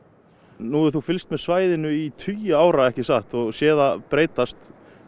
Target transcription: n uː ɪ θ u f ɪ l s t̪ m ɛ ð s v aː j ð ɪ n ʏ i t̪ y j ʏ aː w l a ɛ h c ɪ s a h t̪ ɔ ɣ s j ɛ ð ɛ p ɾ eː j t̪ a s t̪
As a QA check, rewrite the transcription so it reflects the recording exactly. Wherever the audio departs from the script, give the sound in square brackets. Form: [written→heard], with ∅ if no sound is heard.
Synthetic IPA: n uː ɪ θ u f ɪ l s t̪ m ɛ ð s v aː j ð ɪ n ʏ i [t̪→t̪ʰ] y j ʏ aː w [l→ɾ] a ɛ h c ɪ s a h t̪ ɔ ɣ s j [ɛ→ɛː] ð [ɛ→a] p ɾ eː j t̪ a s t̪